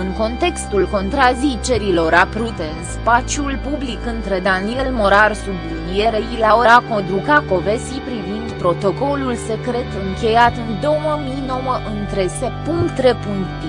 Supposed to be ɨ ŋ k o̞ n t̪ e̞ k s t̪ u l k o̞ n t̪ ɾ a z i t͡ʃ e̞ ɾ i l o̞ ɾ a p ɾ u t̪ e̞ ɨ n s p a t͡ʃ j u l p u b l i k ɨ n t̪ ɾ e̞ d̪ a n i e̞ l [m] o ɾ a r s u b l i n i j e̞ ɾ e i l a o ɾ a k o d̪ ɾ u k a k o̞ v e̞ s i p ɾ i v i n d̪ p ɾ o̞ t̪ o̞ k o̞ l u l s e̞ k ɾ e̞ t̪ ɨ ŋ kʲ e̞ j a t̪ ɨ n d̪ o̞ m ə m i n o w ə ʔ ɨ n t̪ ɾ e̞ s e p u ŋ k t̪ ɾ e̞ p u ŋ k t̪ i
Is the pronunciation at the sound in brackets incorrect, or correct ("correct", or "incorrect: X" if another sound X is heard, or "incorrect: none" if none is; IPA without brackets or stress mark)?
correct